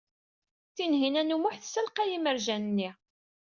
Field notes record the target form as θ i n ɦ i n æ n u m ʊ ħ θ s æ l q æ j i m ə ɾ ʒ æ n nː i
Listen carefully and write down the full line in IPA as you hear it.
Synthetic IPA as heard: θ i n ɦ i n æ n u m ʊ ħ θ s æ l q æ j i m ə ɾ ʒ æ n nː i